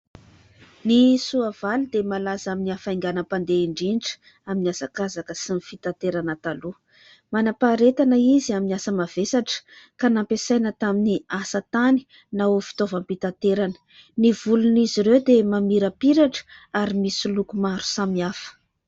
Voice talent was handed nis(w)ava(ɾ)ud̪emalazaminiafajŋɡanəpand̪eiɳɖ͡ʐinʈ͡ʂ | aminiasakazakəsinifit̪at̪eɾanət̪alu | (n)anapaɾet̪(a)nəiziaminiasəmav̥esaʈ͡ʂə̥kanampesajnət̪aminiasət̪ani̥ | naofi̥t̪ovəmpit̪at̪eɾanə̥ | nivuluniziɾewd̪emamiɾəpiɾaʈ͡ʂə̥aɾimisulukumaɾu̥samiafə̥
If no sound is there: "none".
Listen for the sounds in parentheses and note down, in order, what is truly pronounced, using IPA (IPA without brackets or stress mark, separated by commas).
u, l, m, a